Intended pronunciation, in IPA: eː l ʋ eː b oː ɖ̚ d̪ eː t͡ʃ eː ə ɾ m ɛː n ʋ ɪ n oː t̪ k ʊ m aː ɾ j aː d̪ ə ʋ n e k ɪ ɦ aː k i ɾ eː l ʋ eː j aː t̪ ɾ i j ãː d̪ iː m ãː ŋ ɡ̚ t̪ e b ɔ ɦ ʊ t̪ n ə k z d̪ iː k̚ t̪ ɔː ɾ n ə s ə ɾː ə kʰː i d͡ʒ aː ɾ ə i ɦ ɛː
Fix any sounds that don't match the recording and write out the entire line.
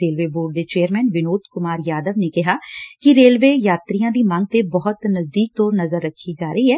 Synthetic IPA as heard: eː l ʋ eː b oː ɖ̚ d̪ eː t͡ʃ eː ə ɾ m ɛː n ʋ ɪ n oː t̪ k ʊ m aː ɾ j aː d̪ ə ʋ n e k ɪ ɦ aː k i ɾ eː l ʋ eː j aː t̪ ɾ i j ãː d̪ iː m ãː ŋ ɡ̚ t̪ e b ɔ ɦ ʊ t̪ n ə z d̪ iː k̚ t̪ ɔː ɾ n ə z ə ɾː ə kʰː i d͡ʒ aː ɾ ə i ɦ ɛː